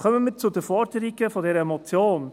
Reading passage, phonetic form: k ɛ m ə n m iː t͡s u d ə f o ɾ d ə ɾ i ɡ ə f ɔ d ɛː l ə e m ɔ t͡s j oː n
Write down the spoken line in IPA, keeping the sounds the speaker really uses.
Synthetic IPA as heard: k œ m ə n m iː t͡s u d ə f ɔ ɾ d ə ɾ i ɡ ə f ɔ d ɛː ɾ ə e m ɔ t͡s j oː n